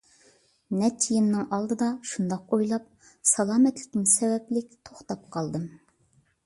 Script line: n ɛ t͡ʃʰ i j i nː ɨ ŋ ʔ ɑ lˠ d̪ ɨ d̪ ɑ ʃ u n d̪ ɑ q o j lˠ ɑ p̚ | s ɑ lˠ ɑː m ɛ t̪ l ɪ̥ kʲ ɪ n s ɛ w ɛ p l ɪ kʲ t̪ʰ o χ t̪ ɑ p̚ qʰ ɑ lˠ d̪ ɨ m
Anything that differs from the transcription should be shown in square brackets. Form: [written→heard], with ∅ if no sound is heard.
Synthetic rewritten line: n ɛ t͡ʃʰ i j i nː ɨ ŋ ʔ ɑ lˠ d̪ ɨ d̪ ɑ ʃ u n d̪ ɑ q o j lˠ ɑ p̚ | s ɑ lˠ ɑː m ɛ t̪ l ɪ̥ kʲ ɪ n s ɛ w ɛ p l ɪ kʲ t̪ʰ o χ t̪ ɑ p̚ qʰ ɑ lˠ d̪ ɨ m